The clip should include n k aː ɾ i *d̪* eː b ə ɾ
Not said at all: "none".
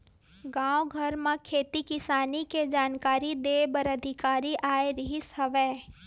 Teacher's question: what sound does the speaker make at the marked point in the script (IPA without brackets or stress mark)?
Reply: d̪